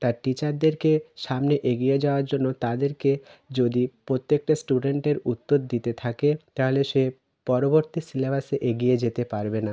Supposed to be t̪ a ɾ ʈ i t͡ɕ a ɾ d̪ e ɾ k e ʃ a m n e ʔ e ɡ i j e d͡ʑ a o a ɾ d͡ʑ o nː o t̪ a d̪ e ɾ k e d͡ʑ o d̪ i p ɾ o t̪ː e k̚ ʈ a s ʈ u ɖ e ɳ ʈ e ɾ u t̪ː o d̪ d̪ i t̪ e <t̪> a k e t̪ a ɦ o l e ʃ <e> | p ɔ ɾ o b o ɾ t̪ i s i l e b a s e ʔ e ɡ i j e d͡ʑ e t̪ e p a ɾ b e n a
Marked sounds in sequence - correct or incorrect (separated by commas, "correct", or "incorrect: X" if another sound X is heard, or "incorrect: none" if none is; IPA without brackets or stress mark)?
incorrect: t̪ʰ, correct